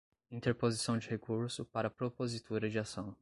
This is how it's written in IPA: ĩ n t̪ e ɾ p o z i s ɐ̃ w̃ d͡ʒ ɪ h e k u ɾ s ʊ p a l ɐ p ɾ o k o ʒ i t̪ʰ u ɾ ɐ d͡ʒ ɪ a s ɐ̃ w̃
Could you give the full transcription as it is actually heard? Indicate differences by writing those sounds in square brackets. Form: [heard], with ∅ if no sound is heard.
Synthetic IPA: ĩ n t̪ e ɾ p o z i s ɐ̃ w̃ d͡ʒ ɪ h e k u ɾ s ʊ p a [ɾ] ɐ p ɾ o [p] o [z] i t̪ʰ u ɾ ɐ d͡ʒ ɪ a s ɐ̃ w̃